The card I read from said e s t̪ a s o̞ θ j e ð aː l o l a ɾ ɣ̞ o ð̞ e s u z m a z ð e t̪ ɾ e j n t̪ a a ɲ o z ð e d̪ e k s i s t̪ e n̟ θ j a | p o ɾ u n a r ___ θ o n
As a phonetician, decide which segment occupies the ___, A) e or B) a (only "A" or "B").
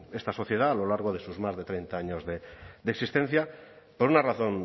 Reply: B